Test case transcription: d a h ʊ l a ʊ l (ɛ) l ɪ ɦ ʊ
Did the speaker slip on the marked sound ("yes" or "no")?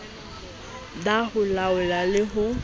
yes